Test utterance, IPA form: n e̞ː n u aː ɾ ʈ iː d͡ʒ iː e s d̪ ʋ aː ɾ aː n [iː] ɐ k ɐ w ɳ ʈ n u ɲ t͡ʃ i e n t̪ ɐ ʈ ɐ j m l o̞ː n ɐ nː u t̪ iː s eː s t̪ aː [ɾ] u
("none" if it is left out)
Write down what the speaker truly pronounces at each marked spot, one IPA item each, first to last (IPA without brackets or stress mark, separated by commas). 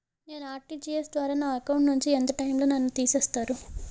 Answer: aː, ɾ